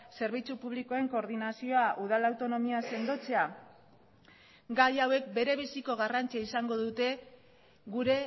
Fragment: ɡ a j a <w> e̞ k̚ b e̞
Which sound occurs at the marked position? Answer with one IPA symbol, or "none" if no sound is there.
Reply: w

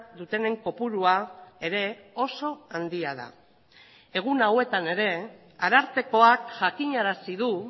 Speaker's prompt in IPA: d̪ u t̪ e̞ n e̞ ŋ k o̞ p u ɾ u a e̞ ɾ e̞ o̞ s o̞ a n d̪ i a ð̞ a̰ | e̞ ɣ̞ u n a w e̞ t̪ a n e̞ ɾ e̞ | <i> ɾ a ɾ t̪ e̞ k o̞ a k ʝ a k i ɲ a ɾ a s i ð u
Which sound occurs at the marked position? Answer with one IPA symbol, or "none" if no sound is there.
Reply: a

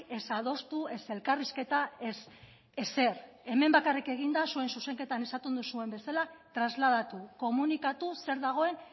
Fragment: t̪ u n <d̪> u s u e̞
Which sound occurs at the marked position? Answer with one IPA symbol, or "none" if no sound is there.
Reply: d̪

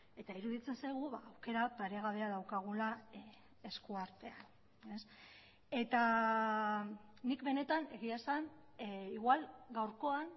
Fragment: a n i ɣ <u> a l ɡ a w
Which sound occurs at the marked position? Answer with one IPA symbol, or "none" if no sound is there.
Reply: w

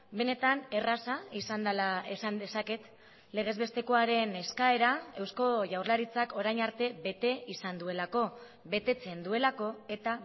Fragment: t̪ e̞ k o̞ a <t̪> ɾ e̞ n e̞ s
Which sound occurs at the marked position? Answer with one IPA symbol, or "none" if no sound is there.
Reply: none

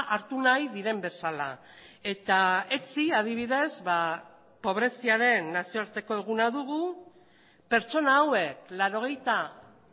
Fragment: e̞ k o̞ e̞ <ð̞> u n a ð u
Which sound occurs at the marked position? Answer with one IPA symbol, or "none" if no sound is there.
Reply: ɣ̞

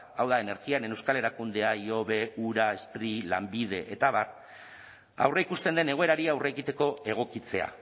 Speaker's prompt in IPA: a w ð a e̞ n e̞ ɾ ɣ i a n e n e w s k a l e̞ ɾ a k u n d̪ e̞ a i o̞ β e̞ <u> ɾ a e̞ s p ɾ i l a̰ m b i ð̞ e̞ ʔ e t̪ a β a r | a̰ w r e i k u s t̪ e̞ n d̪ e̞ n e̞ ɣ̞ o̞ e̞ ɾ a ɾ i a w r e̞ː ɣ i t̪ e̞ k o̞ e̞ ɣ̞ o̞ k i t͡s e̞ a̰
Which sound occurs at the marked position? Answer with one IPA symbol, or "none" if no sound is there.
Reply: u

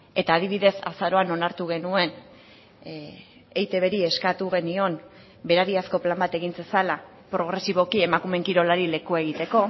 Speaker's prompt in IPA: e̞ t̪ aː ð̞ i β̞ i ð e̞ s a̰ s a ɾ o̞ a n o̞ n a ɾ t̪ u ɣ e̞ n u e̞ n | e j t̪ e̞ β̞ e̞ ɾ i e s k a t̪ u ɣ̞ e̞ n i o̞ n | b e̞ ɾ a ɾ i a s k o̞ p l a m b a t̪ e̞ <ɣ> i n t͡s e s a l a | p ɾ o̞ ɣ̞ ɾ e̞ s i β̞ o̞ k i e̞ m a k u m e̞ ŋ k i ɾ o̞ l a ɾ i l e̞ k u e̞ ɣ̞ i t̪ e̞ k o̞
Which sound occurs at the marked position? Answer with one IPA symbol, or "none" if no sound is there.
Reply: ɣ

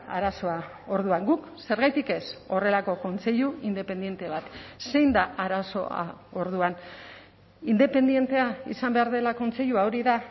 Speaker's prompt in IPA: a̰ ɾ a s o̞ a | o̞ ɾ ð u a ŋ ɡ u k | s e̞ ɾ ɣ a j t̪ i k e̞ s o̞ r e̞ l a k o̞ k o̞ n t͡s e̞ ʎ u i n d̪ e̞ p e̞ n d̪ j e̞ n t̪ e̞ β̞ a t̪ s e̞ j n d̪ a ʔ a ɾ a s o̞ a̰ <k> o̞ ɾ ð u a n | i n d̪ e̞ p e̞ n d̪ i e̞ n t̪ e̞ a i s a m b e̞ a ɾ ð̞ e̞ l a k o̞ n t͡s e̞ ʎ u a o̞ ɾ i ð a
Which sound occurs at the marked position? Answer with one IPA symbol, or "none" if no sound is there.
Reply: none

